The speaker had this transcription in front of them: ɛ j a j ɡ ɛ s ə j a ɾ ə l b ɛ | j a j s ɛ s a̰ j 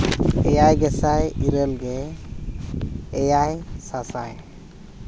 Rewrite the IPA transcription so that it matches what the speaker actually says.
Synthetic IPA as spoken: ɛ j a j ɡ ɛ s a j i ɾ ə l ɡ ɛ | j a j s a s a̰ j